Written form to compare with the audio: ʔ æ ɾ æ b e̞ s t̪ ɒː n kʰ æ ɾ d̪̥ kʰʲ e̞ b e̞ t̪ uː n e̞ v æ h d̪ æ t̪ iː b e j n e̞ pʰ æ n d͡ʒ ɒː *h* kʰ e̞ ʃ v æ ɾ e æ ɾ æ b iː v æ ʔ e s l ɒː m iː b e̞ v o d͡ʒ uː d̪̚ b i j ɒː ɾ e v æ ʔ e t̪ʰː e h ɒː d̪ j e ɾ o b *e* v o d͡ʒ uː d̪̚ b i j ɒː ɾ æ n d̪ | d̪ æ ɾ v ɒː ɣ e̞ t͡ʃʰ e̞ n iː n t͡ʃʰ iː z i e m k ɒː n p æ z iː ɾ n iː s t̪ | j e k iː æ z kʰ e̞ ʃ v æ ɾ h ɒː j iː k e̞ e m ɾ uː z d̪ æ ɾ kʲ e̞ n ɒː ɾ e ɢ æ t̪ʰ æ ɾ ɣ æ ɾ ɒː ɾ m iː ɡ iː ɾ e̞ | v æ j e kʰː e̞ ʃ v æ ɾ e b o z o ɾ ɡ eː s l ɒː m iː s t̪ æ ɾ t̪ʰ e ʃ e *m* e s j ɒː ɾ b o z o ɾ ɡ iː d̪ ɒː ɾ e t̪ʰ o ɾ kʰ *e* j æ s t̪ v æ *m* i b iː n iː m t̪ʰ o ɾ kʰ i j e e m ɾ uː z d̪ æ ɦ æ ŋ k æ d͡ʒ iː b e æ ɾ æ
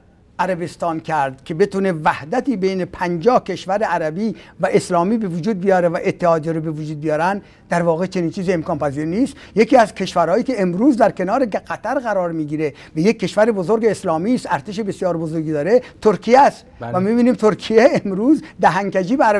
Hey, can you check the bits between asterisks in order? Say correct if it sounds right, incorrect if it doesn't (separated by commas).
correct, correct, incorrect, incorrect, correct